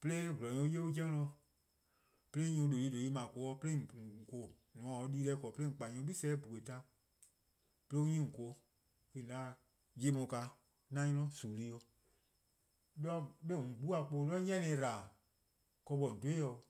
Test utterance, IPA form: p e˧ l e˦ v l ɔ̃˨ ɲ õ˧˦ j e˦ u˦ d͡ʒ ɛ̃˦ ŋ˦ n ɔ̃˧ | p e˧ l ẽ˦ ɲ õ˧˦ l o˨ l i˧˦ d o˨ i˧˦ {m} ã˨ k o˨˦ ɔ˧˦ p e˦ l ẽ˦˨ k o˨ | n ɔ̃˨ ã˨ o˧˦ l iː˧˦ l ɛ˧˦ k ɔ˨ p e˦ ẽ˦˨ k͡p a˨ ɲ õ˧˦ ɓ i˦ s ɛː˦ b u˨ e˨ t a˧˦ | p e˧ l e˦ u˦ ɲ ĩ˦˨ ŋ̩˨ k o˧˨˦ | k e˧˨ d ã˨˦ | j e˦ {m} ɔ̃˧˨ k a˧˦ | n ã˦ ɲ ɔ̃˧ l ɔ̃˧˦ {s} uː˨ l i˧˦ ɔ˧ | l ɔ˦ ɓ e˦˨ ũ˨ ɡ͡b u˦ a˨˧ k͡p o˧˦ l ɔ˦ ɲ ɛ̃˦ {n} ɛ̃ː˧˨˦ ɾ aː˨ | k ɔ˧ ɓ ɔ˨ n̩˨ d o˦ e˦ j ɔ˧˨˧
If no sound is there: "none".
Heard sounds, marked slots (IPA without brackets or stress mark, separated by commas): m, m, s, n